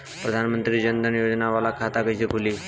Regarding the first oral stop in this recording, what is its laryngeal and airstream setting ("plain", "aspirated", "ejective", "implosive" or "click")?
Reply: plain